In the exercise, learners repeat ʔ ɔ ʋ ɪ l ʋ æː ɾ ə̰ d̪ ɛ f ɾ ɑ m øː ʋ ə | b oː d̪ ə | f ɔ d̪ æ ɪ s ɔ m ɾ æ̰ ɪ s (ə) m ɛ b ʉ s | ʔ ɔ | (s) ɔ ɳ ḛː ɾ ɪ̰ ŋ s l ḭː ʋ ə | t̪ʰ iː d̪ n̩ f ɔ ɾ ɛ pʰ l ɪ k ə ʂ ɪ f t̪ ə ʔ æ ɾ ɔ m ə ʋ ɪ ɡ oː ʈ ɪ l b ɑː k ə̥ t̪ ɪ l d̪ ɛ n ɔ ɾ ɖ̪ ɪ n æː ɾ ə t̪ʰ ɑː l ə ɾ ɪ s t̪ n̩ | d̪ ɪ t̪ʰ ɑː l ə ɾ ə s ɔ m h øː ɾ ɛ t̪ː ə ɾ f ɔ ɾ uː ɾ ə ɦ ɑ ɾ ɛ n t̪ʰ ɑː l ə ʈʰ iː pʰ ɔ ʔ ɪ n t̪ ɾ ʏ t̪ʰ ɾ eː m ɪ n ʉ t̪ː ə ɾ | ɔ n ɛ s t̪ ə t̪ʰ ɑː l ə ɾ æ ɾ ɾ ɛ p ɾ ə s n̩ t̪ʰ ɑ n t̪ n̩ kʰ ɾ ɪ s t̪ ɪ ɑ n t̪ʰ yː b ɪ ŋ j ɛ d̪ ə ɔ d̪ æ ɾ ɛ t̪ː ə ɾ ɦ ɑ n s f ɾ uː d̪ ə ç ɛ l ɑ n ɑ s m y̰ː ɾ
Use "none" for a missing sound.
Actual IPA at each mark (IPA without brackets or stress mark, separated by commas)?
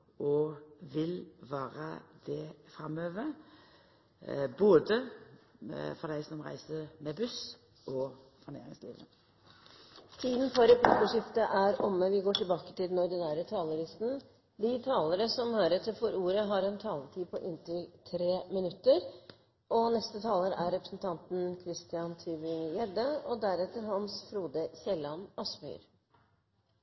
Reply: ə, f